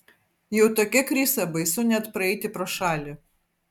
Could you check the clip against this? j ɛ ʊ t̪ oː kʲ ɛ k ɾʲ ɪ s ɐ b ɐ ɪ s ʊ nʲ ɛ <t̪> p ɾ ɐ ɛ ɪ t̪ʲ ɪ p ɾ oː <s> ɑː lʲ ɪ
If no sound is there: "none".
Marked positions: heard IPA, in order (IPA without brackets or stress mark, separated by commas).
t̪, ʃ